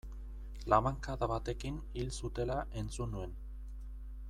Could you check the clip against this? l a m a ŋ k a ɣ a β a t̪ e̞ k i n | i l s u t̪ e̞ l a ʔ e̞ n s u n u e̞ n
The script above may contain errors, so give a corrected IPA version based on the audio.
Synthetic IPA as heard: l a m a ŋ k a ð a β a t̪ e̞ k i n | i l s u t̪ e̞ l a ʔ e̞ n t͡s u n u e̞ n